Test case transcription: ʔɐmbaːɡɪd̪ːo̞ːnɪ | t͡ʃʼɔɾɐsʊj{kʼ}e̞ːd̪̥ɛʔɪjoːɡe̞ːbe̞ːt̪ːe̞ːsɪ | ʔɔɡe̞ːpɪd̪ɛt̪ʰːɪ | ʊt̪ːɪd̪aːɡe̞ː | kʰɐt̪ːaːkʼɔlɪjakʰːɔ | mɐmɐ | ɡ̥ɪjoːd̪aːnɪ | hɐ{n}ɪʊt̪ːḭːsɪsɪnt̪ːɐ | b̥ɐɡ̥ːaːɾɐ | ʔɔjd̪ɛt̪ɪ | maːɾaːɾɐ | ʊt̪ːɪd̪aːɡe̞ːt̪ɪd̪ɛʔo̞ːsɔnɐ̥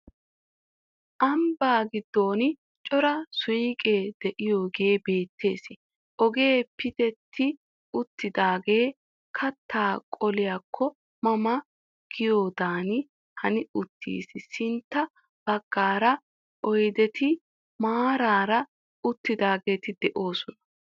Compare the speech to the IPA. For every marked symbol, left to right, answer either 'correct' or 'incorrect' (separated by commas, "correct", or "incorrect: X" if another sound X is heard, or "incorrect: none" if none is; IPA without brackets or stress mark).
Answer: correct, correct